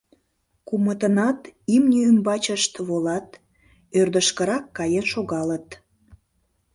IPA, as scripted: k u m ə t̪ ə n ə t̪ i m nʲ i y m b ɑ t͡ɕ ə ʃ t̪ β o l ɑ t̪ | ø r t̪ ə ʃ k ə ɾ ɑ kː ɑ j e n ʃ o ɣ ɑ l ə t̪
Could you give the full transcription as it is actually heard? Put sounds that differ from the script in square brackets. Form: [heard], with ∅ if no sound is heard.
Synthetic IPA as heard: k u m ə t̪ ə n [ɑ] t̪ i m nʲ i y m b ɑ t͡ɕ ə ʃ t̪ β o l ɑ t̪ | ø r [d̪] ə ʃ k ə ɾ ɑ kː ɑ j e n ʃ o ɣ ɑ l ə t̪